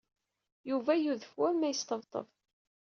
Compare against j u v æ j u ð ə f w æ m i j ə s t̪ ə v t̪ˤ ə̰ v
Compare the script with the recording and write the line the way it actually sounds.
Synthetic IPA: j u v æ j u ð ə f w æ m æ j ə s t̪ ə v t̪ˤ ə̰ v